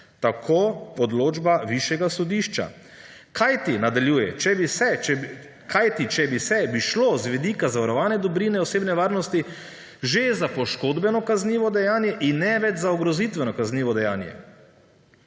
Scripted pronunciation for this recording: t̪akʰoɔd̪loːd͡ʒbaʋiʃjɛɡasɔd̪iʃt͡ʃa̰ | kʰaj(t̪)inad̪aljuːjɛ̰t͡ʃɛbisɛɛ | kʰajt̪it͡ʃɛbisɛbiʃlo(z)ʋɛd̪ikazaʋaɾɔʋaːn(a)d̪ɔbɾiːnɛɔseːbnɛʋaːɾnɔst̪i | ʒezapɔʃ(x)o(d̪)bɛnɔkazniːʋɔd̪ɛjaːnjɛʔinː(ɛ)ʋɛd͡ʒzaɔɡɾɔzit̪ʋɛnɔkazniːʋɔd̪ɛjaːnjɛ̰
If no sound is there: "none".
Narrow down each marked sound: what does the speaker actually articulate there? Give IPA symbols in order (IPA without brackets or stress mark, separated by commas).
t̪, z, ɛ, k, d̪, ɛ